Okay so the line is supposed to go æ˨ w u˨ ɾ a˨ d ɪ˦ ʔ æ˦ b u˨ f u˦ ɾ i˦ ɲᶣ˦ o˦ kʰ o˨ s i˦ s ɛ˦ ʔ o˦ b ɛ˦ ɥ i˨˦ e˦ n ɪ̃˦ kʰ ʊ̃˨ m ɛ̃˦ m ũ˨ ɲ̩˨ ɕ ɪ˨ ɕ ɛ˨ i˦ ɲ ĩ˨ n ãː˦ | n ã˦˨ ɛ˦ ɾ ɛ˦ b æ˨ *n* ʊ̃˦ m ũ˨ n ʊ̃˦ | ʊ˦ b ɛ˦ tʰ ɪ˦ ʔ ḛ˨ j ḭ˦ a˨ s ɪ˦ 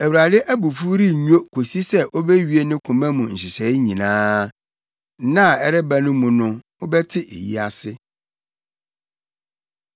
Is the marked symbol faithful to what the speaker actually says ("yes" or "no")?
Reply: yes